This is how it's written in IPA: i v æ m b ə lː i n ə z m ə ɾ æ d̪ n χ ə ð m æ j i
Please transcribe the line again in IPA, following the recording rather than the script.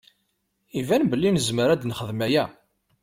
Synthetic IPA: i v æ n b ə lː i n ə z m ə ɾ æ d̪ n χ ə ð m æ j æ